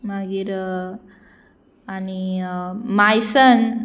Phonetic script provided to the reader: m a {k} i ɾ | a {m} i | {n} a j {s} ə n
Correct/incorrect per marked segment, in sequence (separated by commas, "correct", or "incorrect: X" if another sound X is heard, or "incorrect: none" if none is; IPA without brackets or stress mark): incorrect: ɡ, incorrect: n, incorrect: m, correct